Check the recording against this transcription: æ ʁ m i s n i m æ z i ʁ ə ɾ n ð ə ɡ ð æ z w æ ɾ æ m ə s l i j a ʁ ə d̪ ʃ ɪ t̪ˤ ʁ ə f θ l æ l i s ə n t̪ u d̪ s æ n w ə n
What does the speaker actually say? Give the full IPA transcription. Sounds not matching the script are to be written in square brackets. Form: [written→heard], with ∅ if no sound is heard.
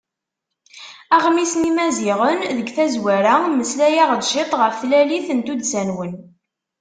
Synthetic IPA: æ ʁ m i s n i m æ z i ʁ ə [ɾ→∅] n ð ə ɡ [ð→θ] æ z w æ ɾ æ m ə s l [i→æ] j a ʁ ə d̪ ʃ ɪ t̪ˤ ʁ ə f θ l æ l i [s→θ] ə n t̪ u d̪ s æ n w ə n